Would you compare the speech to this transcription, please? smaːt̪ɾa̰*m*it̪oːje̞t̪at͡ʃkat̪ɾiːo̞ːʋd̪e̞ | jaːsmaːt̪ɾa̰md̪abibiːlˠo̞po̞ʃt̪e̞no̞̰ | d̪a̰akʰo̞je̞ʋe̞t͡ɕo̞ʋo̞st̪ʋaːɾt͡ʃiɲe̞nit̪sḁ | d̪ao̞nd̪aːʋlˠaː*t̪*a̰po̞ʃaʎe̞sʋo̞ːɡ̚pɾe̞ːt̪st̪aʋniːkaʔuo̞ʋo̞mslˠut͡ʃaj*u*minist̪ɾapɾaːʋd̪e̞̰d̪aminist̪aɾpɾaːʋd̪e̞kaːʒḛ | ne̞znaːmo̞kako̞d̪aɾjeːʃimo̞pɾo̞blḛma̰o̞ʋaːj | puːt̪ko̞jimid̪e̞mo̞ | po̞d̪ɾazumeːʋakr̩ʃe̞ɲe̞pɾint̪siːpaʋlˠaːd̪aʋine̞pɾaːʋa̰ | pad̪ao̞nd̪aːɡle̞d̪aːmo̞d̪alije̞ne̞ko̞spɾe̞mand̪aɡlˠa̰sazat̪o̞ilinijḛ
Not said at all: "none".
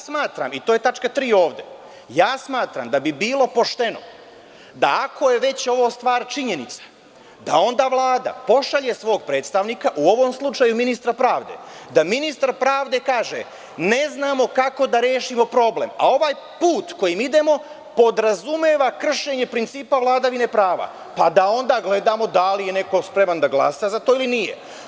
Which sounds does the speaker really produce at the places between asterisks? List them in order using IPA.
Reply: m, d̪, u

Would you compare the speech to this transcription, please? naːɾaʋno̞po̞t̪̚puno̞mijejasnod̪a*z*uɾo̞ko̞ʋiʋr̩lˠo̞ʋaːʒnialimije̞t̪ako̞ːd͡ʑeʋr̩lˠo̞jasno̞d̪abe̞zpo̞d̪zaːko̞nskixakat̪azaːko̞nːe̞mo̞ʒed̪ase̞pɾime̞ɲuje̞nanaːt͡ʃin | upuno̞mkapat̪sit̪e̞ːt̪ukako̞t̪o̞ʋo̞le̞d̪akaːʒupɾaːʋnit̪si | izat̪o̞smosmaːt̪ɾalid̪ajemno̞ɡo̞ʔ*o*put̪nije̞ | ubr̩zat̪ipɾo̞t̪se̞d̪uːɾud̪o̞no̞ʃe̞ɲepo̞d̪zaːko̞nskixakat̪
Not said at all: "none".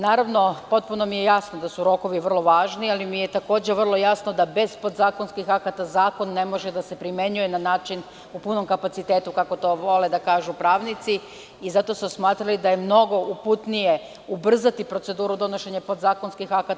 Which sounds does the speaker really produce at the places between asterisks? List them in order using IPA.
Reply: s, u

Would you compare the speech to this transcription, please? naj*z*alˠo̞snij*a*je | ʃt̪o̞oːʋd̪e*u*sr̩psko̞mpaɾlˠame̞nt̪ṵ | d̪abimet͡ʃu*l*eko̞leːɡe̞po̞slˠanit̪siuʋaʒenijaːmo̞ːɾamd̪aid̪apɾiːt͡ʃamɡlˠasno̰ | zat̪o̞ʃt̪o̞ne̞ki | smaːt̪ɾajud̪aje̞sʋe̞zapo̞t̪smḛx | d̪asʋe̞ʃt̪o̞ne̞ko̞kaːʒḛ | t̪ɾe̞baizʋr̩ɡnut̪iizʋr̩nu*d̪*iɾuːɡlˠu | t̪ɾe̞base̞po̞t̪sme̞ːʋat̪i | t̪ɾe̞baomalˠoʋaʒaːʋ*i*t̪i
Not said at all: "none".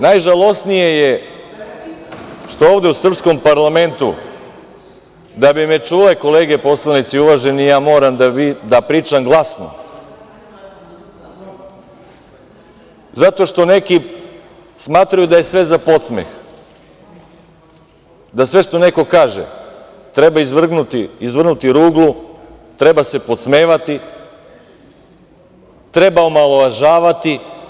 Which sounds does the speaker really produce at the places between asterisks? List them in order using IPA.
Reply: ʒ, e, u, l, t̪, a

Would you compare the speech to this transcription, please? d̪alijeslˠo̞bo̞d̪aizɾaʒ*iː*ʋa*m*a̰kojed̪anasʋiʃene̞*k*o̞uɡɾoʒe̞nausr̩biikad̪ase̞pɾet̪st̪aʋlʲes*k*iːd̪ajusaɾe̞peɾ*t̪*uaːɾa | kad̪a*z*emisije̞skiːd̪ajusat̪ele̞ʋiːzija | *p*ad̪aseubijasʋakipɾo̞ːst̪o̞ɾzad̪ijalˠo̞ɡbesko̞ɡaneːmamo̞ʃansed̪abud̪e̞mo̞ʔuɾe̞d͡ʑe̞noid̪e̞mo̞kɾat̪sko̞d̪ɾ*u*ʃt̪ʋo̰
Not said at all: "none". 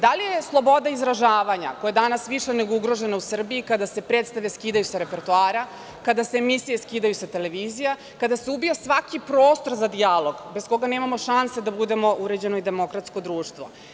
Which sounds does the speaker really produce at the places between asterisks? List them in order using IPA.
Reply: aː, ɲ, ɡ, k, t̪, s, k, uː

